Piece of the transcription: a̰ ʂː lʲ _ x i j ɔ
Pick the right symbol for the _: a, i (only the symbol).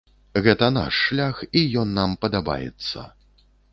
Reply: a